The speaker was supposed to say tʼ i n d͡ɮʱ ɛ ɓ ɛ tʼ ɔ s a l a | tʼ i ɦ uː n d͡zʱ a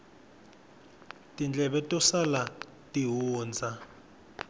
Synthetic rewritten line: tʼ i n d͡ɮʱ ɛ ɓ ɛ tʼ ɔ s a l a | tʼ i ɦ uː n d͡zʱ a

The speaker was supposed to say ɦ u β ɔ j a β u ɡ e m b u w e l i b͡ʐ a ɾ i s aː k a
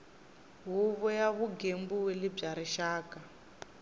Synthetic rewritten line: ɦ u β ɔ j a β u ɡ e m b u w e l i b͡ʐ a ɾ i ʃ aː k a

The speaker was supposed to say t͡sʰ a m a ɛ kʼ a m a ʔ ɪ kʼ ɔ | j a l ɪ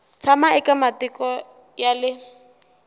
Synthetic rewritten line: t͡sʰ a m a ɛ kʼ a m a t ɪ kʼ ɔ | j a l ɪ

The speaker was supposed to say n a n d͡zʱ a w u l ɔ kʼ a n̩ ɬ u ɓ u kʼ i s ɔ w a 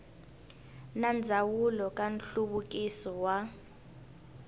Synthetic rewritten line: n a n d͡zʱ a w u l ɔ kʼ a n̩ ɬ u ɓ u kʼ i s ɔ w a

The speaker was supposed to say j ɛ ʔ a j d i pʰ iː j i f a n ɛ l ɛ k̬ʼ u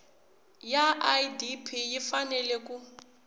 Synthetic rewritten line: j a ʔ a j d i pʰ i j i f a n ɛ l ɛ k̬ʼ u

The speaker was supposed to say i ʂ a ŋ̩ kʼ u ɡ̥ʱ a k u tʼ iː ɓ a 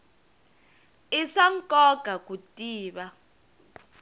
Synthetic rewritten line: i ʂ a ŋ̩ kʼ ɔ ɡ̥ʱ a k u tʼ iː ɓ a

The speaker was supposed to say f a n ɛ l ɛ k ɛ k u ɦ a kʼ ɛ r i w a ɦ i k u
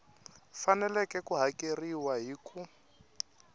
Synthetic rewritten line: f a n ɛ l ɛ k ɛ k u ɦ a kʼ e r i w a ɦ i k u

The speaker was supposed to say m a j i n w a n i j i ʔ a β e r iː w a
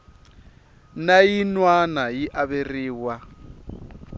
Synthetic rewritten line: n a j i n w a n a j i ʔ a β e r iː w a

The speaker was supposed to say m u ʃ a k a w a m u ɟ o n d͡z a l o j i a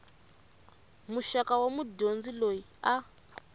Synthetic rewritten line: m u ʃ a k a w a m u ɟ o n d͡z i l o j i a

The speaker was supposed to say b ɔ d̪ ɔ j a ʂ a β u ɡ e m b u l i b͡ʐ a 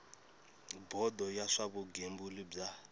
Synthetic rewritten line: b ɔ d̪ ɔ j a ʂ a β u ɡ e m b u l i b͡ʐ a

